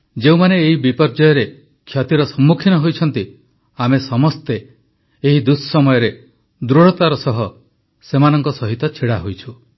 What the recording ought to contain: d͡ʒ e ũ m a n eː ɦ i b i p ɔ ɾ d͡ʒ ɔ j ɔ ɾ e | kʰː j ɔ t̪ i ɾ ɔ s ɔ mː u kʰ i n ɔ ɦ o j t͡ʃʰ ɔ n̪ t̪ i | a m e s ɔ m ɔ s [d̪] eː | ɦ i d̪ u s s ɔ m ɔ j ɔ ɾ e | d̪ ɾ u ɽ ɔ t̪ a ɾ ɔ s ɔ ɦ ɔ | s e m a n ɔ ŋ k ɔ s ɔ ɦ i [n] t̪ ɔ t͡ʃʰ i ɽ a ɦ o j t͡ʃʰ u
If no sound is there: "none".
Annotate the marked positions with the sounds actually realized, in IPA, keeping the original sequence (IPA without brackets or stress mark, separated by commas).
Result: t̪, none